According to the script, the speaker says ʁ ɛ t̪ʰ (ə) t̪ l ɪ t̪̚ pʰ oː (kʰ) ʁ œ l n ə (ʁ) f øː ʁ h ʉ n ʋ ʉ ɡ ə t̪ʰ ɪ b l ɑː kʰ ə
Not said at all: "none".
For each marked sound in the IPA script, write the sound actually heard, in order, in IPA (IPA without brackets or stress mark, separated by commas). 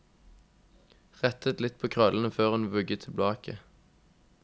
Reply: ə, kʰ, none